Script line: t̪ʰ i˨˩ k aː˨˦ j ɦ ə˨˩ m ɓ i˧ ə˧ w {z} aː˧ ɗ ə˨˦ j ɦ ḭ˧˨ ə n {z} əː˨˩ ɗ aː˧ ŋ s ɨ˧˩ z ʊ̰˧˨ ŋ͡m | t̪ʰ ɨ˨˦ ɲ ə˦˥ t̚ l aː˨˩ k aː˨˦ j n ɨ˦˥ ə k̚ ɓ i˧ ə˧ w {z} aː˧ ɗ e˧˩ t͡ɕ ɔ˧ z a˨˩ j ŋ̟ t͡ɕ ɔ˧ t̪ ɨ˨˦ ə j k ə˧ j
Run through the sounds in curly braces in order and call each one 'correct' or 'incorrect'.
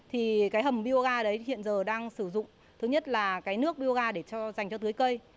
incorrect: ɣ, correct, incorrect: ɣ

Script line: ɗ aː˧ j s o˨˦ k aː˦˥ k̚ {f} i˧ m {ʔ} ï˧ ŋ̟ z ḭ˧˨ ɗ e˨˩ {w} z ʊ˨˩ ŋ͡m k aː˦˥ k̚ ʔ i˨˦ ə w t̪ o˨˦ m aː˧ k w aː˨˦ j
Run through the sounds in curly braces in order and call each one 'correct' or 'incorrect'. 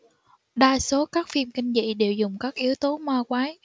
correct, incorrect: k, correct

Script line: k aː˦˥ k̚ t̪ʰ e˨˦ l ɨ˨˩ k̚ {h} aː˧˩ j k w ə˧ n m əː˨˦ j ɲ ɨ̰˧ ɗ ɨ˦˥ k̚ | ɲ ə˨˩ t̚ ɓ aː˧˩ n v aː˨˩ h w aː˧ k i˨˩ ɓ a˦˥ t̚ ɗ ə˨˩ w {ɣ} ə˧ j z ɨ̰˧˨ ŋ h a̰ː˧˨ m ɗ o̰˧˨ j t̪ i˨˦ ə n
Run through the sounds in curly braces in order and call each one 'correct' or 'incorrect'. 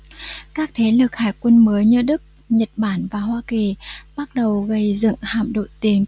correct, correct

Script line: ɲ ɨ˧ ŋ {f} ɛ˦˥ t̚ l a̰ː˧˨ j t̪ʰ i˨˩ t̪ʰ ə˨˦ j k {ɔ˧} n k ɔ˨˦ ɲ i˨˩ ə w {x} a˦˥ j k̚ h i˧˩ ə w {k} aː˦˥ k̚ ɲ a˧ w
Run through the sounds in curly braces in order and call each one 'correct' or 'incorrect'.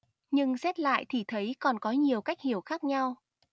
incorrect: s, incorrect: ɔ˨˩, incorrect: k, incorrect: x

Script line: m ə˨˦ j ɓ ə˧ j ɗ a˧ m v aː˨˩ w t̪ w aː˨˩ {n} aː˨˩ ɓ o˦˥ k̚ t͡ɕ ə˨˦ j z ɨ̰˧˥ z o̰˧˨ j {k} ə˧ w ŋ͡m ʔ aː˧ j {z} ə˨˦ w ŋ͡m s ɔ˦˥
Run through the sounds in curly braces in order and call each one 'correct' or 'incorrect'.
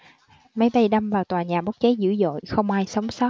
incorrect: ɲ, incorrect: x, incorrect: s

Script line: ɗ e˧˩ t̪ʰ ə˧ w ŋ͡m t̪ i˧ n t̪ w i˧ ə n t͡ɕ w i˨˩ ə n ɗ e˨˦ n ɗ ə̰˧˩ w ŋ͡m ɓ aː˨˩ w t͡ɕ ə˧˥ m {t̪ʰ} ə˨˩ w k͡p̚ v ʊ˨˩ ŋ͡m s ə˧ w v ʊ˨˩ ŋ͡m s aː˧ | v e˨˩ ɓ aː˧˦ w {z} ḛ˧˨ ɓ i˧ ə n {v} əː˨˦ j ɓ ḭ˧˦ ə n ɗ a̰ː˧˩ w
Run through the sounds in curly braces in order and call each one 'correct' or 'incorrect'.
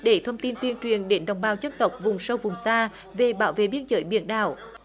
incorrect: t̪, incorrect: v, incorrect: z

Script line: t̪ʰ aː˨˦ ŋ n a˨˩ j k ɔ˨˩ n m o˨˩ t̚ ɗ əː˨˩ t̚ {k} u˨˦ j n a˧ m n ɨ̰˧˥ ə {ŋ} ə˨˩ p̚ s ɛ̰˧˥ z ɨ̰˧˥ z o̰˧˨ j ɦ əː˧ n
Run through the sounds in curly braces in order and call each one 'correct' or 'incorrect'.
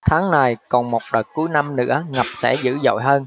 correct, correct

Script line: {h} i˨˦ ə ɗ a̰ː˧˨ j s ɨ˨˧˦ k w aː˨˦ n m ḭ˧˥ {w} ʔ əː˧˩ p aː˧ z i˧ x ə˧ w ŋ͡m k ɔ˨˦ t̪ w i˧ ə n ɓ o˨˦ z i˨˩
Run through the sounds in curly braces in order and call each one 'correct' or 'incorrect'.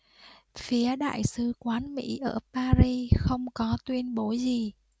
incorrect: f, incorrect: none

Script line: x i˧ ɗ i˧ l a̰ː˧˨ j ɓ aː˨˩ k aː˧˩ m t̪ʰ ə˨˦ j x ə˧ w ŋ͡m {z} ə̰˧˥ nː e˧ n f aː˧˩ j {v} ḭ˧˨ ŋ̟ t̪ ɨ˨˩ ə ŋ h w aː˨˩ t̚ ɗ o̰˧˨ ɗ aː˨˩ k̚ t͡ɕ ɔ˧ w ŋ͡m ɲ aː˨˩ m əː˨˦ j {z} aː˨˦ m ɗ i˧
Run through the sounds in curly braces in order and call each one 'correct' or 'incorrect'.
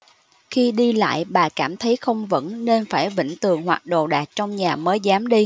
incorrect: v, correct, correct

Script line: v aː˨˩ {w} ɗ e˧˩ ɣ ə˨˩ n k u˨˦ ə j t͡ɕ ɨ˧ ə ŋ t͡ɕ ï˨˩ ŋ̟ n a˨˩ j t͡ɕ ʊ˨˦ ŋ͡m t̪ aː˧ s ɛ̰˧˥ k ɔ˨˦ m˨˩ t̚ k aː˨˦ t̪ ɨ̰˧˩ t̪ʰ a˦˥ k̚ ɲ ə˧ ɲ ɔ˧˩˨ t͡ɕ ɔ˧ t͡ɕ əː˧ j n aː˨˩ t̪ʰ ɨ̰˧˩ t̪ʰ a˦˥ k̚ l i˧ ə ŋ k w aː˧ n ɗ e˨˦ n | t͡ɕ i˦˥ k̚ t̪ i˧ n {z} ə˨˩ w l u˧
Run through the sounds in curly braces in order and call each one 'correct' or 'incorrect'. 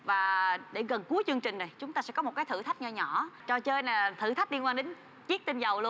incorrect: none, correct

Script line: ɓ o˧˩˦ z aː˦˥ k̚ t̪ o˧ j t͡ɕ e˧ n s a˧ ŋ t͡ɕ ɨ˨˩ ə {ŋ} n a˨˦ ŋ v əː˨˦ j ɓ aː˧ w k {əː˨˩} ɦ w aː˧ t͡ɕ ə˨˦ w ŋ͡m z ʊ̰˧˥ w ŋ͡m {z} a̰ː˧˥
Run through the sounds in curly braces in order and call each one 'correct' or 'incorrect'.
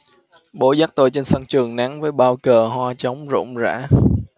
correct, correct, correct

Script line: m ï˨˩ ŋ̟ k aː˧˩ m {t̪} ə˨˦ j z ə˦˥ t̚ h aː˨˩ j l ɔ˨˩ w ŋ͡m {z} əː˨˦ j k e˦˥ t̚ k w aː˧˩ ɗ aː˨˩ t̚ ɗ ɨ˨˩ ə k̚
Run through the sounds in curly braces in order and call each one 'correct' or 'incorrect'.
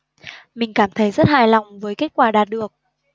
incorrect: t̪ʰ, incorrect: v

